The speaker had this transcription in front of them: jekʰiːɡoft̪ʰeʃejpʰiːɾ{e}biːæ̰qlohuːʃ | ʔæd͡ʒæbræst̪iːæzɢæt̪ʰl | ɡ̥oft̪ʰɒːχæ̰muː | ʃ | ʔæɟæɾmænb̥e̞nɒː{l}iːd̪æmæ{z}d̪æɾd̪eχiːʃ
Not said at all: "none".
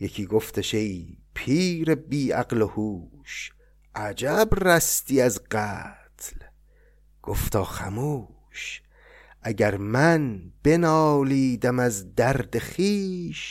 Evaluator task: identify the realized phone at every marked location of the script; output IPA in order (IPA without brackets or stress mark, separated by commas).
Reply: e, l, z